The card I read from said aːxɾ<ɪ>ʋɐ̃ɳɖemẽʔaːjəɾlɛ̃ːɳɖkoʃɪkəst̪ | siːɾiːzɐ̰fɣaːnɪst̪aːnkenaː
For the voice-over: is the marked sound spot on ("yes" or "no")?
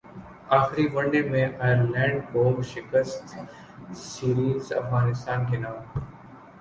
no